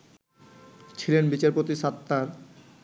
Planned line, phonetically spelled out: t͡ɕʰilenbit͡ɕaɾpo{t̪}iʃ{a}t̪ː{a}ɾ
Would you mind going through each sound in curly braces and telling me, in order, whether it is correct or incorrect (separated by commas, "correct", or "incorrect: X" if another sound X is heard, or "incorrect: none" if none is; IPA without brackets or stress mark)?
correct, correct, correct